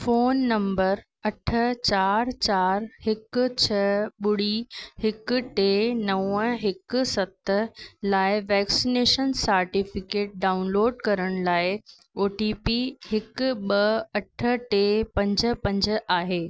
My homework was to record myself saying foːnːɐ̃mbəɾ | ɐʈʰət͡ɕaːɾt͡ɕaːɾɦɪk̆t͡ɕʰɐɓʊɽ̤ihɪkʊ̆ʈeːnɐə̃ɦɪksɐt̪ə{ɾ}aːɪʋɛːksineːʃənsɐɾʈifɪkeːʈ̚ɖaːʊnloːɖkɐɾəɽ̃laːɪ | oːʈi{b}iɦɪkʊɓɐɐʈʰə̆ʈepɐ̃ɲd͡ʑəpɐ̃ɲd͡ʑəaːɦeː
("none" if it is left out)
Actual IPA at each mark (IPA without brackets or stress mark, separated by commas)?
l, p